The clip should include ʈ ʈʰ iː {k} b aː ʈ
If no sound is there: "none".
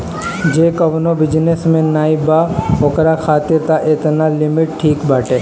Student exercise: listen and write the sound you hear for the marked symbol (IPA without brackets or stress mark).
k